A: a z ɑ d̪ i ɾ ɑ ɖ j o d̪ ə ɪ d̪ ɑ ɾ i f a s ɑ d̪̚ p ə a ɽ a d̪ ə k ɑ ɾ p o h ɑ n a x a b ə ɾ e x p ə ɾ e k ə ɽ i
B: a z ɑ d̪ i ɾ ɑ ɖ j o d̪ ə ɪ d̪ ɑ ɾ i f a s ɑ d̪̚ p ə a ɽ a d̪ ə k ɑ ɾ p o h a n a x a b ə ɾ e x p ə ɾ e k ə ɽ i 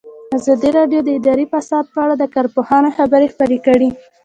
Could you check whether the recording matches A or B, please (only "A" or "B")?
A